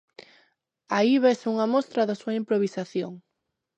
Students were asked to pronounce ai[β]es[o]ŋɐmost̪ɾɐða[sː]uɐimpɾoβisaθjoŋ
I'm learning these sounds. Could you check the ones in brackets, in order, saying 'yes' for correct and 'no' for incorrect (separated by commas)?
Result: yes, no, no